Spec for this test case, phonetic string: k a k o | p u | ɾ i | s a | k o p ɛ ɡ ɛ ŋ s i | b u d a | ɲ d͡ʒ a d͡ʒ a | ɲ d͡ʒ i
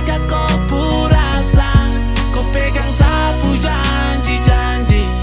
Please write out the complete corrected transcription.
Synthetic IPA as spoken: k a k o | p u | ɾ a | s a | k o p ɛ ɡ a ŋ s a | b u d͡ʒ a | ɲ d͡ʒ i d͡ʒ a | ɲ d͡ʒ i